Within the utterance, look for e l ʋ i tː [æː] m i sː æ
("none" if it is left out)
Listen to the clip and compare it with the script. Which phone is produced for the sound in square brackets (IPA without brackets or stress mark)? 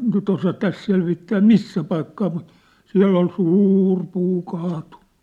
æː